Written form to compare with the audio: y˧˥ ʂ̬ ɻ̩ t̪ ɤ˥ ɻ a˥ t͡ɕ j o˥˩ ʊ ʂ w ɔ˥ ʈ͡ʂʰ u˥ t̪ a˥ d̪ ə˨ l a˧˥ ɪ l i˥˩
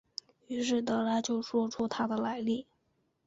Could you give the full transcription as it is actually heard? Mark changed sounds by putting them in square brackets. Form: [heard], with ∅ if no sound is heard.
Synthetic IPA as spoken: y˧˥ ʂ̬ ɻ̩ t̪ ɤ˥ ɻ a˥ t͡ɕ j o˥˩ ʊ ʂ w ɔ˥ ʈ͡ʂʰ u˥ [t̪ʰ] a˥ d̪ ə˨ l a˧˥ ɪ l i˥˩